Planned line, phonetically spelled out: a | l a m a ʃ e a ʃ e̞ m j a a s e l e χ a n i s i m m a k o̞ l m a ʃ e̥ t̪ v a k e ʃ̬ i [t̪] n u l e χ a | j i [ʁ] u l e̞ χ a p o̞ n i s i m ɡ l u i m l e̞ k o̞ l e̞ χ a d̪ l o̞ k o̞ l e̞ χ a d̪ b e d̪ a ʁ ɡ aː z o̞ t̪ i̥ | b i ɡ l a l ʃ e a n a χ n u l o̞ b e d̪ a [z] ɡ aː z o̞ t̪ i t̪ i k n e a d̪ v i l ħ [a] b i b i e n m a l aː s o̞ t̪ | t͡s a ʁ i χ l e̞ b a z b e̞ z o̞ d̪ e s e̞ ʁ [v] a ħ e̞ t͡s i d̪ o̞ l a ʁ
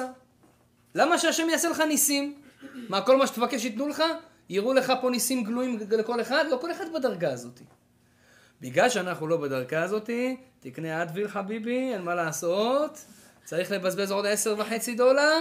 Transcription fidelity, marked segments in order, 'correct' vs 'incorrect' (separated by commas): correct, correct, incorrect, correct, correct